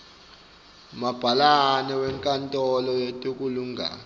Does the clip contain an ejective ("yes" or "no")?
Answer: yes